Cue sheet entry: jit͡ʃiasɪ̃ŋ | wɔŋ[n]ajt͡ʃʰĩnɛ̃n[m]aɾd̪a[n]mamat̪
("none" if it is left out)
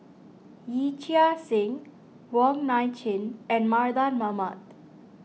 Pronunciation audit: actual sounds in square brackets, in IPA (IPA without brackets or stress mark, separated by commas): n, m, n